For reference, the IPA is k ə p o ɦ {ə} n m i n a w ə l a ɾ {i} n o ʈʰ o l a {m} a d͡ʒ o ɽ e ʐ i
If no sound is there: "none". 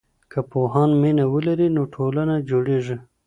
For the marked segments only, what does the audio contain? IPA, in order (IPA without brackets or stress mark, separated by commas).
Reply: ɑ, i, n